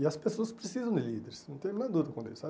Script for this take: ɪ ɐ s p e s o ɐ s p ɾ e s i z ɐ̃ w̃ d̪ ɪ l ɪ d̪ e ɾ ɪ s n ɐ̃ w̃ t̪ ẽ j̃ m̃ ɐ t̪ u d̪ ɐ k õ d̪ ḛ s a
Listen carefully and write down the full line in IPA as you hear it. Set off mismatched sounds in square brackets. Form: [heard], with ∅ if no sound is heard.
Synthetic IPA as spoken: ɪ ɐ s p e s o ɐ s p ɾ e s i z ɐ̃ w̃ d̪ ɪ l [i] d̪ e ɾ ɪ s n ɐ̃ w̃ t̪ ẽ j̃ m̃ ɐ [d̪] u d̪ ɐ k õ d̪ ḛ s a